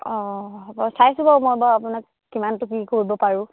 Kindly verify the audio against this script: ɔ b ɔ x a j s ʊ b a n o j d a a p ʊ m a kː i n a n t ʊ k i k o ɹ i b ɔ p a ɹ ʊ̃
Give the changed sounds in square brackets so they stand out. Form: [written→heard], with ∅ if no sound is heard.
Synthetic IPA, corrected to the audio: ɔ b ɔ [x→s] a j s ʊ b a [n→m] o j [d→b] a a p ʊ [m→n] a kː i [n→m] a n t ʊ k i k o ɹ i b ɔ p a ɹ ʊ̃